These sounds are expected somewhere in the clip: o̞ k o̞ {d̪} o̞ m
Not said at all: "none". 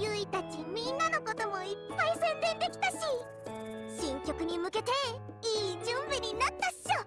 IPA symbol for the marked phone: t̪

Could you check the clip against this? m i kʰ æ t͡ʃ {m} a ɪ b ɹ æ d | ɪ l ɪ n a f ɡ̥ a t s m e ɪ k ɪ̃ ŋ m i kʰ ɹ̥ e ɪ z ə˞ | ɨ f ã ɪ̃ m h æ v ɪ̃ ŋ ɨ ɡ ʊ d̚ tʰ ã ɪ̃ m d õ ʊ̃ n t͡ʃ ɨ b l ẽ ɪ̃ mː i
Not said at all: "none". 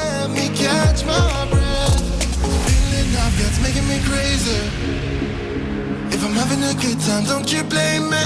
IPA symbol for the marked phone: m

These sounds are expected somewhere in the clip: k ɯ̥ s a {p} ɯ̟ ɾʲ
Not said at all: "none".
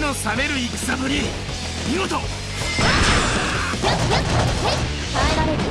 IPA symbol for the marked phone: b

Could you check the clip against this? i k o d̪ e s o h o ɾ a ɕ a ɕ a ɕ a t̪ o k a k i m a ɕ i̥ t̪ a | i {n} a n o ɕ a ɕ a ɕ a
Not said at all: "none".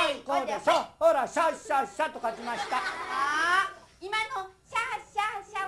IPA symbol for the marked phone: m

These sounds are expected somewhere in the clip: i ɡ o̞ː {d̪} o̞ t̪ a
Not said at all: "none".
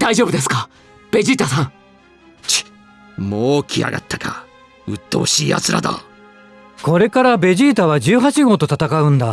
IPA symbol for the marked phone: t̪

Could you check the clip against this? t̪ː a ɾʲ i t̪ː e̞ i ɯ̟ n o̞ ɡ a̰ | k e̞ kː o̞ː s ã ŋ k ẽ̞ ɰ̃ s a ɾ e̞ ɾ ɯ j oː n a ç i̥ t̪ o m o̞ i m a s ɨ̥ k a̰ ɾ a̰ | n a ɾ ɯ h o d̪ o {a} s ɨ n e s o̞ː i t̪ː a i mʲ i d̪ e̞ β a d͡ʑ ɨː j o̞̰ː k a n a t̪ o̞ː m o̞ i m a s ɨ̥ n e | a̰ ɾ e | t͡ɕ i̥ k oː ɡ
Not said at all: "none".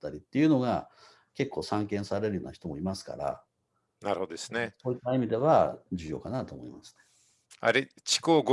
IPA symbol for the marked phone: e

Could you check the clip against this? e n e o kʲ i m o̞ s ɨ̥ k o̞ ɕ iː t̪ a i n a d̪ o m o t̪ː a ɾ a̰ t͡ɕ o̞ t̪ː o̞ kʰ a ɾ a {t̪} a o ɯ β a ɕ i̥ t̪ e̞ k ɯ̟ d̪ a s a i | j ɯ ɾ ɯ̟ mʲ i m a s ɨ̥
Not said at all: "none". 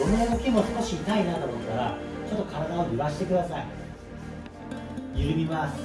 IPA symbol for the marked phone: d̪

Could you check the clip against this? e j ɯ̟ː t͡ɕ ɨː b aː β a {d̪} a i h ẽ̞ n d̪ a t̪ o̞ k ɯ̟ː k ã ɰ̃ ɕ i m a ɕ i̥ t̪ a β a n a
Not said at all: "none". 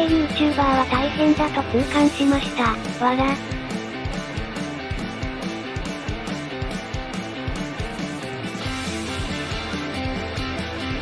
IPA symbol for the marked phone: t̪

